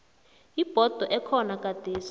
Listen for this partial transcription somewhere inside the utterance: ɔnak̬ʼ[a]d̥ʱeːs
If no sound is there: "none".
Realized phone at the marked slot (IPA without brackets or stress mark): a